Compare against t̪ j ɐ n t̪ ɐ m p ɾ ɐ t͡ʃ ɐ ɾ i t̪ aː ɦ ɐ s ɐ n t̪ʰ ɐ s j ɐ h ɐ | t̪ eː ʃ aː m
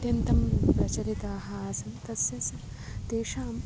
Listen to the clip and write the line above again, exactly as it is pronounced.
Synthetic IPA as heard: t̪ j ɐ n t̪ ɐ m p ɾ ɐ t͡ʃ ɐ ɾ i t̪ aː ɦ ɐ s ɐ n t̪ ɐ s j ɐ s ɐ | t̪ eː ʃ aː m